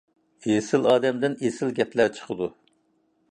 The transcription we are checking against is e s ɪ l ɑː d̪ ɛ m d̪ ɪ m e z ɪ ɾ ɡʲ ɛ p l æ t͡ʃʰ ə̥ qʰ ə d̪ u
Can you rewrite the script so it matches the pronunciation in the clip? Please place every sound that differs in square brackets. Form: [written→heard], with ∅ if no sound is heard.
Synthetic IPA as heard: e s ɪ l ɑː d̪ ɛ m d̪ ɪ [m→n] e [z→s] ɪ [ɾ→l] ɡʲ ɛ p l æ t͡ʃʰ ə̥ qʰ ə d̪ u